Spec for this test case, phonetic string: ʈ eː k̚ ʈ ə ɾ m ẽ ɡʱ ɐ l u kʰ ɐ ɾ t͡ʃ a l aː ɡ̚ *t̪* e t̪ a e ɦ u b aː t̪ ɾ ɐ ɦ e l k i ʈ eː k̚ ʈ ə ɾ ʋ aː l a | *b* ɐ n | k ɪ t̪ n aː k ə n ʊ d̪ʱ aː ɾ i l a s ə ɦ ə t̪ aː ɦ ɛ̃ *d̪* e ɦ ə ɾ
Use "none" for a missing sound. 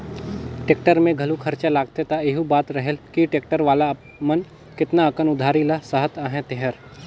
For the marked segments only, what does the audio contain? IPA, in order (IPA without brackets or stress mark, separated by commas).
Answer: t̪, m, t̪